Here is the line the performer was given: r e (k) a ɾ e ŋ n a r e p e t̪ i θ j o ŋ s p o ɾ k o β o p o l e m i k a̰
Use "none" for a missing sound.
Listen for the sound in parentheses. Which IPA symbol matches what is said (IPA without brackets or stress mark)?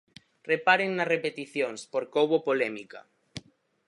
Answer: p